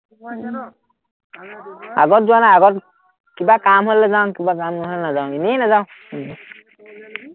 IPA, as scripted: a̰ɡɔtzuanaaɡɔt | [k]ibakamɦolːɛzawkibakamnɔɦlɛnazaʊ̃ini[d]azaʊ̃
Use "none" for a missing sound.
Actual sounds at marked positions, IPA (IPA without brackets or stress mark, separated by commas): k, n